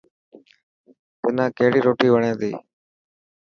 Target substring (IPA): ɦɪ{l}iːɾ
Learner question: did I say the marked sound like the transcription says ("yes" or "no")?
no